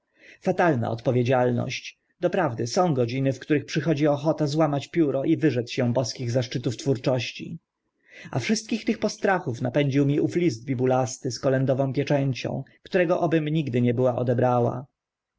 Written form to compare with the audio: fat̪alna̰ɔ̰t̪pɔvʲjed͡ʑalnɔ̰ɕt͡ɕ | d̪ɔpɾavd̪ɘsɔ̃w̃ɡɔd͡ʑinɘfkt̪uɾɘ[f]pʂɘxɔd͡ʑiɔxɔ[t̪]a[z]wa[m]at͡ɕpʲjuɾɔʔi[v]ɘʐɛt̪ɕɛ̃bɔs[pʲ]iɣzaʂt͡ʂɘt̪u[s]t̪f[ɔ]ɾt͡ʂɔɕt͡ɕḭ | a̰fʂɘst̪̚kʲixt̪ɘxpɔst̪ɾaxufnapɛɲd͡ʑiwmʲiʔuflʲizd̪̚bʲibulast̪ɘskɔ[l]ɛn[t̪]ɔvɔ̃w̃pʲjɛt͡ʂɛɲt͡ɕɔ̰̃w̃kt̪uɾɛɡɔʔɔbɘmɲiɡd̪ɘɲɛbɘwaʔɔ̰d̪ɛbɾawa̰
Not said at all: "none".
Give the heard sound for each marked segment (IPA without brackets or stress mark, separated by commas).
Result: x, t̪, z, m, v, kʲ, f, u, l, d̪